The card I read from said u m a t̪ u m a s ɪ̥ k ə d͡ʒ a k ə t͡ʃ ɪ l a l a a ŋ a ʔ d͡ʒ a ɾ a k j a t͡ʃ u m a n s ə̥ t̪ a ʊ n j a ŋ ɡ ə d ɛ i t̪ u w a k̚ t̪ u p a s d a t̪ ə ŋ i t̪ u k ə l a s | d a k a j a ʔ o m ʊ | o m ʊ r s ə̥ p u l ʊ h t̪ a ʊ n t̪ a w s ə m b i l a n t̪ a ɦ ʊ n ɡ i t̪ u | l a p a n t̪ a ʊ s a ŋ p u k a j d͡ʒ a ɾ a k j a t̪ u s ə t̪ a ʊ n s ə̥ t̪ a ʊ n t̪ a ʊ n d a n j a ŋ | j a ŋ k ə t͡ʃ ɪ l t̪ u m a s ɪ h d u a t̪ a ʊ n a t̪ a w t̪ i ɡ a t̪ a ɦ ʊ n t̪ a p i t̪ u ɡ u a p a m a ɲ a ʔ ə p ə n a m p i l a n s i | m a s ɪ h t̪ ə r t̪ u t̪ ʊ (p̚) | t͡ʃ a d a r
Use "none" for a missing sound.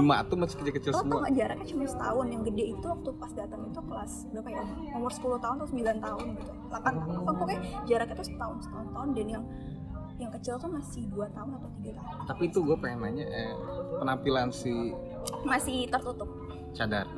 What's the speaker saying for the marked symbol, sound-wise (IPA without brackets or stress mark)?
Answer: p̚